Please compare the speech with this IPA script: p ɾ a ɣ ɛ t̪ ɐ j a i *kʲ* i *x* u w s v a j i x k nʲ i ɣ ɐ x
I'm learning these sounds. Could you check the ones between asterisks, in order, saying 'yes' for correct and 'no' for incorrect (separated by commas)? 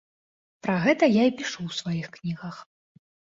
no, no